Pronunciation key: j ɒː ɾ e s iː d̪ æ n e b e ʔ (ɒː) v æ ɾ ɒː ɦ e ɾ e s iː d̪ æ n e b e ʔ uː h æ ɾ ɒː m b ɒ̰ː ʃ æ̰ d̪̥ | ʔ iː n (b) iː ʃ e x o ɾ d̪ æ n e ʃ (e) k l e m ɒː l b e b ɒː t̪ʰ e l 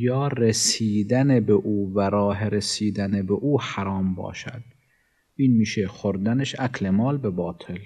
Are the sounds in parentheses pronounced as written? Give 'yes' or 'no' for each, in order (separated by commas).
no, no, no